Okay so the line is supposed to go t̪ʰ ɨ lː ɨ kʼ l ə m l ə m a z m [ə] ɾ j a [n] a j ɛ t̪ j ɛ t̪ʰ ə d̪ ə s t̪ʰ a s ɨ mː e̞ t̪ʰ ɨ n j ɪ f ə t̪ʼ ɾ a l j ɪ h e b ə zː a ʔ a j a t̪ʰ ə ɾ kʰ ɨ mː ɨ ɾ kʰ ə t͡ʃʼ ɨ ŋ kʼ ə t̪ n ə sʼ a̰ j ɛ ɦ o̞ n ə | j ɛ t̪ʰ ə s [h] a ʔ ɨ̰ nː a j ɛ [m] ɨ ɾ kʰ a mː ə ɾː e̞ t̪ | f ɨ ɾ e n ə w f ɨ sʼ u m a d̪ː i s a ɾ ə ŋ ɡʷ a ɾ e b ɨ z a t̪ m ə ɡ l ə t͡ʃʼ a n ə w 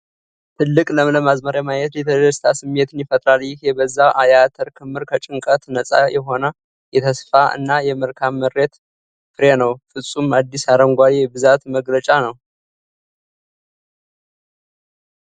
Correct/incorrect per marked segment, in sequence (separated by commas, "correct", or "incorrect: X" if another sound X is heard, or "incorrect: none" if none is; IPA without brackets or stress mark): correct, incorrect: m, incorrect: f, correct